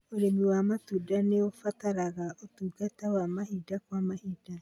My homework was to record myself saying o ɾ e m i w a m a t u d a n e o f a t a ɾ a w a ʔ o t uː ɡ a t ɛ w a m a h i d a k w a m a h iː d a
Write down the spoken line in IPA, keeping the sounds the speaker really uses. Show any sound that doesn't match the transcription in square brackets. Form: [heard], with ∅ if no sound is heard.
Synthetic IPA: o ɾ e m i w a m a t u d a n e o f a t a ɾ a [ɣ] a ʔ o t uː ɡ a t ɛ w a m a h i d a k w a m a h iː d a